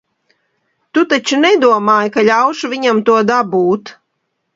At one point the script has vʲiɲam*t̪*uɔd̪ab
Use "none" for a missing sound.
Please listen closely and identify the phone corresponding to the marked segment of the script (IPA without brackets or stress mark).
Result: t̪